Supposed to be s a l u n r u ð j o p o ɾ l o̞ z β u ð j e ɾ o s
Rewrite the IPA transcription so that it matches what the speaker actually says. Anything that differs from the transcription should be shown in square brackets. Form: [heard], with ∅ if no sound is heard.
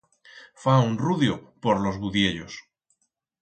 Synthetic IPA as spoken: [f] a [∅] u n r u ð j o p o ɾ l o̞ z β u ð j e [ʎ] o s